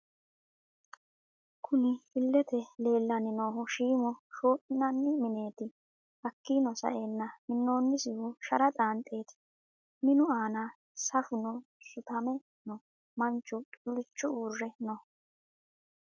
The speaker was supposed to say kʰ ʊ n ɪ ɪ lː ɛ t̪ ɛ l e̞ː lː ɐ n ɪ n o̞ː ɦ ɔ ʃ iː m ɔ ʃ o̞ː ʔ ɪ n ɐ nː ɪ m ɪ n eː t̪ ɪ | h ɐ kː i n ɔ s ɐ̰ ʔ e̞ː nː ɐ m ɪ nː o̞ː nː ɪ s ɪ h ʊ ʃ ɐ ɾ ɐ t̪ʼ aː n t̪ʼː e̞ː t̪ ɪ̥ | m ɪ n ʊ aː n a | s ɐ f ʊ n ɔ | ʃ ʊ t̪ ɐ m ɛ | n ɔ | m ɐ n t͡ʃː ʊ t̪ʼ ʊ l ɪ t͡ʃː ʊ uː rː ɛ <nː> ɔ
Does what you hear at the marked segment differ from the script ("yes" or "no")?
yes